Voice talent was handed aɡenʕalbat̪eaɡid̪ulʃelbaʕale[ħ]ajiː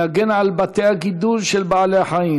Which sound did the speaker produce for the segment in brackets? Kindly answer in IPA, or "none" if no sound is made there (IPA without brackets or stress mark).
ħ